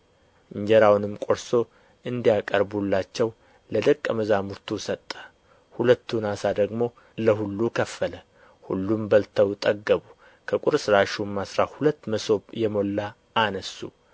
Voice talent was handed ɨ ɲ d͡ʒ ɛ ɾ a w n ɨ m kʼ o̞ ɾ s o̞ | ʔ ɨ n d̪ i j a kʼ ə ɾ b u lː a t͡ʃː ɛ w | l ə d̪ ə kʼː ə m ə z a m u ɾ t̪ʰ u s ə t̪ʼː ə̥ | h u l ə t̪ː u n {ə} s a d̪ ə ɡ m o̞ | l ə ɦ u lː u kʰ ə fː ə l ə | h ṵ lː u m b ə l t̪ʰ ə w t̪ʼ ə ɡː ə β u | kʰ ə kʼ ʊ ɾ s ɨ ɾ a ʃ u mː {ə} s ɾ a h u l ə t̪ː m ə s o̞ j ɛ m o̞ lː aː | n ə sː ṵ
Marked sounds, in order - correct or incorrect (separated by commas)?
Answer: incorrect, incorrect